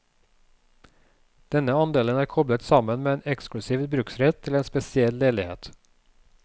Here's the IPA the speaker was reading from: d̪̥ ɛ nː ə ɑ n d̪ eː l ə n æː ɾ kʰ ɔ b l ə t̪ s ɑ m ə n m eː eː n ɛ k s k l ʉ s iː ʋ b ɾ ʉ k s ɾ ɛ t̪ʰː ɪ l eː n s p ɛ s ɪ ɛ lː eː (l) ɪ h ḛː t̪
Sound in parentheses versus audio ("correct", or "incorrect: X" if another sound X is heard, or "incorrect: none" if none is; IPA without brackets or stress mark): correct